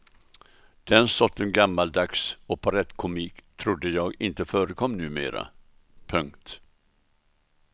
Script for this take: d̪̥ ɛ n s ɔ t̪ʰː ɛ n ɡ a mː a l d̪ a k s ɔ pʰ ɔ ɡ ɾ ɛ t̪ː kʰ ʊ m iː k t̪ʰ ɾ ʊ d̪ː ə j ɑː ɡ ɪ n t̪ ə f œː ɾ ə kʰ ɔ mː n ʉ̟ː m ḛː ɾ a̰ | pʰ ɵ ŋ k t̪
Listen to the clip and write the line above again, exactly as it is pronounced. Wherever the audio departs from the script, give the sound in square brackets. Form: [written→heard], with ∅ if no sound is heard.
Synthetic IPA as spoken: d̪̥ ɛ n s ɔ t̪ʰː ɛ n ɡ a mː a l d̪ a k s ɔ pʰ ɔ [ɡ→∅] ɾ ɛ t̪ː kʰ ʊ m iː k t̪ʰ ɾ ʊ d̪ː ə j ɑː ɡ ɪ n t̪ ə f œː ɾ ə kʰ ɔ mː n ʉ̟ː m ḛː ɾ a̰ | pʰ ɵ ŋ k t̪